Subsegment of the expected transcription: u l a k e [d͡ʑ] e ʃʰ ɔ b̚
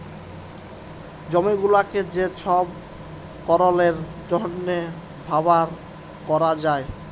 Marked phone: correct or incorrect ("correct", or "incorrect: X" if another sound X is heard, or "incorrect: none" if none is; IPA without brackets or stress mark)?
correct